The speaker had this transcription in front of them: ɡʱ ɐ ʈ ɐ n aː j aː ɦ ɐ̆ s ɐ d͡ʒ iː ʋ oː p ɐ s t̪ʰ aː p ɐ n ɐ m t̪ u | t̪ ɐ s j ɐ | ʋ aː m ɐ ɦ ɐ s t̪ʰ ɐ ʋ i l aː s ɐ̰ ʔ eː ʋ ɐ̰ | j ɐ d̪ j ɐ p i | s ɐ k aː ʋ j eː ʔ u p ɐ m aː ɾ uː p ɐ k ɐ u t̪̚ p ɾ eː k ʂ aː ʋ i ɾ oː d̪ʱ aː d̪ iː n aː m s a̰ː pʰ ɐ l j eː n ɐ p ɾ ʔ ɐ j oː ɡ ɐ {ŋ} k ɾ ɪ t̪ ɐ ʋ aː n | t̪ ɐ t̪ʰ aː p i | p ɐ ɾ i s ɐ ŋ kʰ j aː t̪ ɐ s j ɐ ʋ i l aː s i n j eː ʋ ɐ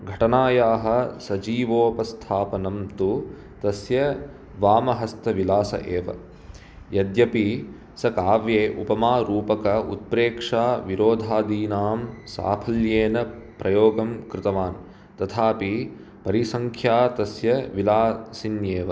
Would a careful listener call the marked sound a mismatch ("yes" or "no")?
yes